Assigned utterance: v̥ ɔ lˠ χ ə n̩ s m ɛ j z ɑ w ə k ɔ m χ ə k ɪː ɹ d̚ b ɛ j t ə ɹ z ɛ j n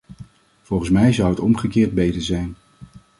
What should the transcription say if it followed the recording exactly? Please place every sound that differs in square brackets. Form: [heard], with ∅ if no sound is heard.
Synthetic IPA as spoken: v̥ ɔ lˠ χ ə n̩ s m ɛ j z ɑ w ə [t] ɔ m χ ə k ɪː ɹ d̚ b [e] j t ə ɹ z ɛ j n